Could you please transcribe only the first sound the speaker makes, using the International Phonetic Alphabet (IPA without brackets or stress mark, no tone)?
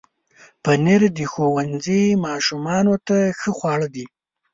p